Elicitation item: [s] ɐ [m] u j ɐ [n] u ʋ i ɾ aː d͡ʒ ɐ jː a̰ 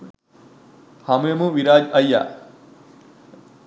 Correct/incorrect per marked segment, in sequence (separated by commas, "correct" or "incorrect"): incorrect, correct, incorrect